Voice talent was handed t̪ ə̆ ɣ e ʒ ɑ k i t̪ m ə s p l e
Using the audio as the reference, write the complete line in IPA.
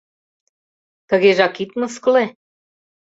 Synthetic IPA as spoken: t̪ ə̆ ɣ e ʒ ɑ k i t̪ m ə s k l e